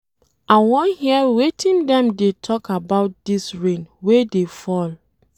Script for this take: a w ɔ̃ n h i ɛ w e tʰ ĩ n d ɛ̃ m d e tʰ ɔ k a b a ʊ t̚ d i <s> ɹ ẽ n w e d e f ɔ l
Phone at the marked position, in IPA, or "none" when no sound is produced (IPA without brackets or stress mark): s